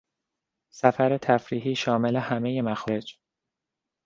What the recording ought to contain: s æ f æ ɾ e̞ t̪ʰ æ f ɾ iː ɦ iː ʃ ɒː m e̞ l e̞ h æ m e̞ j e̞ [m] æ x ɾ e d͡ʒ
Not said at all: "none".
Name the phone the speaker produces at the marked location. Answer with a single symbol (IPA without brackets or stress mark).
m